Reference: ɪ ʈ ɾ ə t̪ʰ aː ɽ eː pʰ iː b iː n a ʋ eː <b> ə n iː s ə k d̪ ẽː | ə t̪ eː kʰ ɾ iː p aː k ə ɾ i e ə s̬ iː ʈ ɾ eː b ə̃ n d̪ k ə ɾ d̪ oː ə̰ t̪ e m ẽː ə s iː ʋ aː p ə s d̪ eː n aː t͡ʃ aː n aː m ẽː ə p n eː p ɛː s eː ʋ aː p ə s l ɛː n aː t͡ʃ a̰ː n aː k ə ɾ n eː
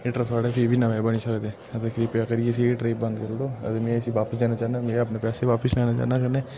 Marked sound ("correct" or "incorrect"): correct